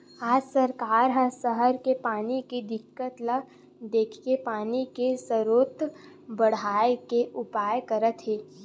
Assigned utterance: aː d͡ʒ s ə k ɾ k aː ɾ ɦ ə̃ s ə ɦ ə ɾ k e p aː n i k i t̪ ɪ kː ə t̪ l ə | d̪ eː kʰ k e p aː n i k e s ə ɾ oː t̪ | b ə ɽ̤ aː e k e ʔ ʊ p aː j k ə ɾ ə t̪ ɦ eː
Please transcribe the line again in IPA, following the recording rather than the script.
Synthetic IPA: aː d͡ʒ s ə ɾ k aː ɾ ɦ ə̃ s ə ɦ ə ɾ k e p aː n i k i d̪ ɪ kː ə t̪ l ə | d̪ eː kʰ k e p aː n i k e s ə ɾ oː t̪ | b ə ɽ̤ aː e k e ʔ ʊ p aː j k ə ɾ ə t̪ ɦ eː